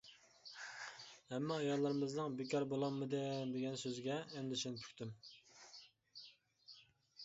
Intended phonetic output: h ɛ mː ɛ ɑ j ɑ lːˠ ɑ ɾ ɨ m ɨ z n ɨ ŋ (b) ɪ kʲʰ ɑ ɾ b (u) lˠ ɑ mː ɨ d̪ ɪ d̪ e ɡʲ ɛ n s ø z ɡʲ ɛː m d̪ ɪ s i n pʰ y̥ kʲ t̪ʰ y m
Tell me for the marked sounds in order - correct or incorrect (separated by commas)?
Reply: correct, incorrect